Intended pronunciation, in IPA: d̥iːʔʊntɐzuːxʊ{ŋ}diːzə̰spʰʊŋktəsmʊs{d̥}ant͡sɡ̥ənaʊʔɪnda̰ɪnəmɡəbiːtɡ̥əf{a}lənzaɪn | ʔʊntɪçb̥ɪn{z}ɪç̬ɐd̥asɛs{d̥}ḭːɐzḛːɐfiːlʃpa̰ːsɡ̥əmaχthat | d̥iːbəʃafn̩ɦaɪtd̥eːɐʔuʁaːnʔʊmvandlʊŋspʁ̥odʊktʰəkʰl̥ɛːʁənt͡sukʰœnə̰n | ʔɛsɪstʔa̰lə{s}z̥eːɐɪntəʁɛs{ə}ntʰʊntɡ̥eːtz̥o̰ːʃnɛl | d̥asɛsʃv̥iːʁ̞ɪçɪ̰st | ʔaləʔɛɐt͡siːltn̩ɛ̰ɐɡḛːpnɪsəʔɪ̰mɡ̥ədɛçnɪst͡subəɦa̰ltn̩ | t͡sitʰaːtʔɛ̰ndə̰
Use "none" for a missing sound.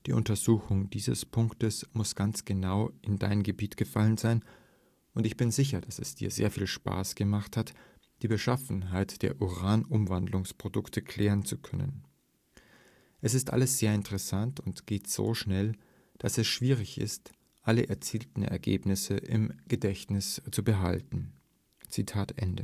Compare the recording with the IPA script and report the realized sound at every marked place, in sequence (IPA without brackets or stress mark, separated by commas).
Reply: ŋ, ɡ̥, a, z, d̥, s, a